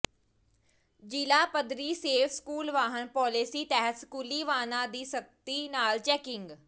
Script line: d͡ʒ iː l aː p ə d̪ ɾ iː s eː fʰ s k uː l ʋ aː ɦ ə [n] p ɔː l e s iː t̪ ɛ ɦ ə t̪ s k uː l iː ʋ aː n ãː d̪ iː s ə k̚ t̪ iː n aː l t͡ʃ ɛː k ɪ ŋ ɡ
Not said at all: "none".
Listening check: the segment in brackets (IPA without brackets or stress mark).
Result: n